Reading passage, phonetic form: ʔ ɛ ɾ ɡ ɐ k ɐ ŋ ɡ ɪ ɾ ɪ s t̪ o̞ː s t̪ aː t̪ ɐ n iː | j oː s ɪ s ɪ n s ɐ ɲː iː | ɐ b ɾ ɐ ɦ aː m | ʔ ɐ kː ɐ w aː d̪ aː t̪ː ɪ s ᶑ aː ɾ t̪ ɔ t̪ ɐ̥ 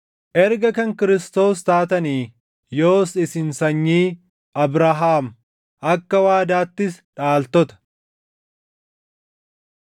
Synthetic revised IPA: ʔ ɛ ɾ ɡ ɐ k ɐ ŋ k ɪ ɾ ɪ s t̪ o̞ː s t̪ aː t̪ ɐ n iː | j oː s ɪ s ɪ n s ɐ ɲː iː | ɐ b ɾ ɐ ɦ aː m | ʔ ɐ kː ɐ w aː d̪ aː t̪ː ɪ s ᶑ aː l t̪ ɔ t̪ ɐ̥